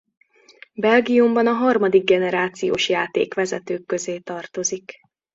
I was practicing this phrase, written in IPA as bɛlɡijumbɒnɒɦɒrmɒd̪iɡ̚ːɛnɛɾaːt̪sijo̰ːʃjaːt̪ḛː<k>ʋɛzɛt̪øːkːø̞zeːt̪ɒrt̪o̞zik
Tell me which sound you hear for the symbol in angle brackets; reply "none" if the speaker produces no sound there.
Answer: k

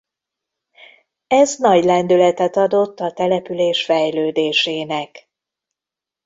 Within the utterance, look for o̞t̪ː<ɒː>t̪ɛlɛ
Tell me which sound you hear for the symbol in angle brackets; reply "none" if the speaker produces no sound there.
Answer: ɒ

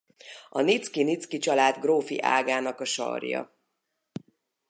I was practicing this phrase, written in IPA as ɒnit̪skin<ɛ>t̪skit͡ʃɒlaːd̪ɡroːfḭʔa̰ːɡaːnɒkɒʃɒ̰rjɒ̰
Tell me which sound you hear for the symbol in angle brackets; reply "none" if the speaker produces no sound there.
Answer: i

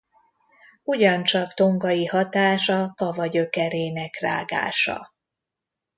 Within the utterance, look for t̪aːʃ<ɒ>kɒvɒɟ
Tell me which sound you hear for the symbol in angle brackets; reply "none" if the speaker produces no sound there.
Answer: ɒ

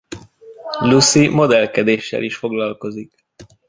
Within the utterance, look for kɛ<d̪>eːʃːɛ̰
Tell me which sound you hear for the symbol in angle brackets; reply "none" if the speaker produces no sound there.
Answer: d̪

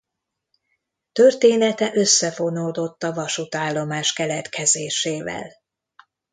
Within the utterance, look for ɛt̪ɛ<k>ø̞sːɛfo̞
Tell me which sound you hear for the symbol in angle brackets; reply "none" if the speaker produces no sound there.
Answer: ʔ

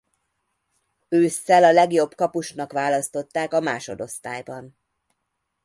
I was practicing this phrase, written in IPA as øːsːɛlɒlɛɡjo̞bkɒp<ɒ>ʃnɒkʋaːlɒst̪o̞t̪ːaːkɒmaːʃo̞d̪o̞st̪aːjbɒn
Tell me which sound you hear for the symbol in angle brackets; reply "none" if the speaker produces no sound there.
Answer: u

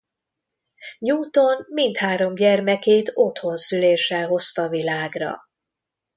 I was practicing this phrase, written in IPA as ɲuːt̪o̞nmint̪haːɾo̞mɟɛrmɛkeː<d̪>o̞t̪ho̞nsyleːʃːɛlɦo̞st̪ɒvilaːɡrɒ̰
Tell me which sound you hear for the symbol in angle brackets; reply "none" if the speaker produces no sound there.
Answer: t̪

